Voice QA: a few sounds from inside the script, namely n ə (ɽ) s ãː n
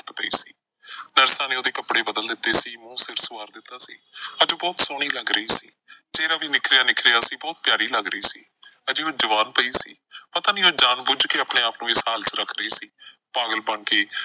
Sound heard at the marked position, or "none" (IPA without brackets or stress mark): ɾ